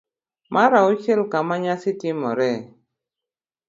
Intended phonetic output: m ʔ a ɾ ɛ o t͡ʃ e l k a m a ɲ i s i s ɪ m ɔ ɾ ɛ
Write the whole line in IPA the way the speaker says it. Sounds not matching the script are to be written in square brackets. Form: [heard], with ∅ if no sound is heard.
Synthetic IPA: m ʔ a ɾ [a] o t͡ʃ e l k a m a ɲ [a] s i [t] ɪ m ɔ ɾ ɛ